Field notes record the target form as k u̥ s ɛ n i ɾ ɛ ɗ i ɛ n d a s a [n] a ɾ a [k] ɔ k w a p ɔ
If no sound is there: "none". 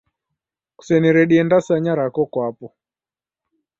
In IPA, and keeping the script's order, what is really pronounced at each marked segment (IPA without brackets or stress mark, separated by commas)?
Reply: ɲ, k